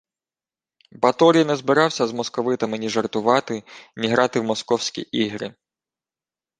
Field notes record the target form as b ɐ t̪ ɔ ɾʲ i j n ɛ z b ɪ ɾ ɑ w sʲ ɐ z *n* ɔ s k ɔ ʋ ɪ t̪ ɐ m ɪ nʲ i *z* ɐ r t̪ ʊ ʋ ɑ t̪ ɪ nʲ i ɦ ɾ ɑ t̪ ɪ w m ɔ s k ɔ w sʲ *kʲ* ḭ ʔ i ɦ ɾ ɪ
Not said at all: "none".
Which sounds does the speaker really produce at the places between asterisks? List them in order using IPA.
m, ʒ, kʲ

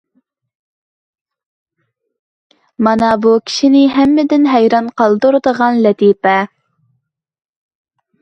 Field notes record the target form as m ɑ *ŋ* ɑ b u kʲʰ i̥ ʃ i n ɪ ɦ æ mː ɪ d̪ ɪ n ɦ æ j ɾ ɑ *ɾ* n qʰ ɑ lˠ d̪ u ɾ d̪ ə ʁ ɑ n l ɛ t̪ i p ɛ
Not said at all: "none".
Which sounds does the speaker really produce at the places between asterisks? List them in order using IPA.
n, none

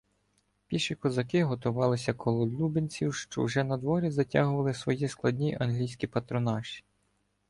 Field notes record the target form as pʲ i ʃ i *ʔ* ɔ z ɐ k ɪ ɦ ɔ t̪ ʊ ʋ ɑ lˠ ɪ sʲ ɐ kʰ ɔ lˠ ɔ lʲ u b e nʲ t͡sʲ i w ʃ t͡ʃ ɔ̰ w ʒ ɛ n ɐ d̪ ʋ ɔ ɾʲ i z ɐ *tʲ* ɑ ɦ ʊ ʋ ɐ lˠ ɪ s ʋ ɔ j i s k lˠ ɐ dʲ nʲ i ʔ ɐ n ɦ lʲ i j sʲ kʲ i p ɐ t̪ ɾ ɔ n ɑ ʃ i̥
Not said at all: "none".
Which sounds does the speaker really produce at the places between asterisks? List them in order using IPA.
k, tʲ

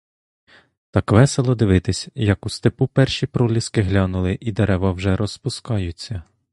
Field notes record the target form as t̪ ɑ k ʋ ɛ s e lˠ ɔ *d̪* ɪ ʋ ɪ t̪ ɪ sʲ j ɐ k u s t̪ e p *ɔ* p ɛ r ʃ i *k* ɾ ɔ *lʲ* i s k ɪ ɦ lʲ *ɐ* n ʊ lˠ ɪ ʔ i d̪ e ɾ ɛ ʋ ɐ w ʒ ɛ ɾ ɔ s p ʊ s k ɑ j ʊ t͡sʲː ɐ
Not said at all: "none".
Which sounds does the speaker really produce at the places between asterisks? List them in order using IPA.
d̪, u, p, lʲ, ɑ

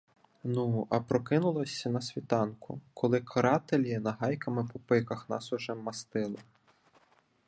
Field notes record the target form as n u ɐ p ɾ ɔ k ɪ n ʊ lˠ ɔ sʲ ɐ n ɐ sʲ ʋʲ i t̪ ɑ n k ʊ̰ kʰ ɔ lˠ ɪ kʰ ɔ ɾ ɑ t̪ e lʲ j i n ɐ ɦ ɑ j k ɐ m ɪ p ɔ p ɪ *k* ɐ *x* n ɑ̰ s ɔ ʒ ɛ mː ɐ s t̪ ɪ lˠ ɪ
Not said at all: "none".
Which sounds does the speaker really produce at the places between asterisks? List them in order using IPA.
k, x

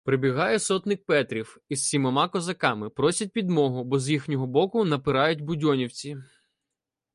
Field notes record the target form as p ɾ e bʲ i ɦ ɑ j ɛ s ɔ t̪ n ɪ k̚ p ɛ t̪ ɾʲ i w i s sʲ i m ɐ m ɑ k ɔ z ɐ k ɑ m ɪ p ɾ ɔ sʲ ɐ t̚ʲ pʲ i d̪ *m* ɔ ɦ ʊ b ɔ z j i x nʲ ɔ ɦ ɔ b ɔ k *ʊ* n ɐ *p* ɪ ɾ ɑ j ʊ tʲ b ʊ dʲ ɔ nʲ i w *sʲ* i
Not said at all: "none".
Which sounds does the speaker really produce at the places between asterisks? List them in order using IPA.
m, ʊ, p, t͡sʲ

